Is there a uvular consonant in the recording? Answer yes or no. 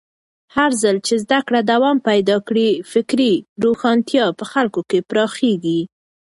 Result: no